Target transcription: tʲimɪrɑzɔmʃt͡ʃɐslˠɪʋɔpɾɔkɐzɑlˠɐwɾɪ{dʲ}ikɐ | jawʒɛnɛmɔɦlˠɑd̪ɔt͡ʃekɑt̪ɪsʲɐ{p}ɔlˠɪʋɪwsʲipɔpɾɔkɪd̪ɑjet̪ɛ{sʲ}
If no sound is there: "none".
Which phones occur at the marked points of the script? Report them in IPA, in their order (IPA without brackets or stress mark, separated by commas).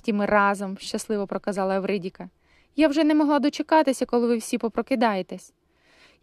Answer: dʲ, k, sʲ